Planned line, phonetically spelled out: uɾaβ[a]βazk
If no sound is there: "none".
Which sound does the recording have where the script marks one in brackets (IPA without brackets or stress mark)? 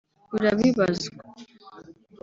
i